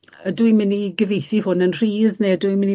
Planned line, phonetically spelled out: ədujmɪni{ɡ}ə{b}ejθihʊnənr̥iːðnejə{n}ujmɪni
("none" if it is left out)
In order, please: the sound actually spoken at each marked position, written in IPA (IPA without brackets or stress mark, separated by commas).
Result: ɡ, v, d